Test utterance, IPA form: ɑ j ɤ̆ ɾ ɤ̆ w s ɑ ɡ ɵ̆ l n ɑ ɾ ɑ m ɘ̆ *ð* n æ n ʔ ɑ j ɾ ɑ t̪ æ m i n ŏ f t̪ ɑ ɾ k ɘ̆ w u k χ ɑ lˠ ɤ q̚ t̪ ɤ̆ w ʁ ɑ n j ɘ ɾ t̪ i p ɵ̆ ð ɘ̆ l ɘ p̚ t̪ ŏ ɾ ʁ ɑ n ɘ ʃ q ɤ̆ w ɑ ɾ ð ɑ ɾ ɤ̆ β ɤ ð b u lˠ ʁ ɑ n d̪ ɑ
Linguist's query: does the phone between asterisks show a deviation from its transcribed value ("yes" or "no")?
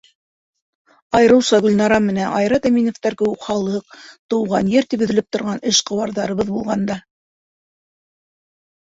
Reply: yes